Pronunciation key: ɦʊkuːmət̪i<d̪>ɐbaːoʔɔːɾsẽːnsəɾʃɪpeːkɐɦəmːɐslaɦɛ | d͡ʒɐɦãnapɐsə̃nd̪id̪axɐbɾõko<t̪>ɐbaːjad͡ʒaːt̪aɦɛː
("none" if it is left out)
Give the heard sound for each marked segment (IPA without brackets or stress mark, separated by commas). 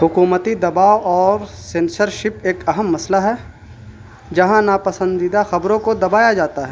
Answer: d̪, d̪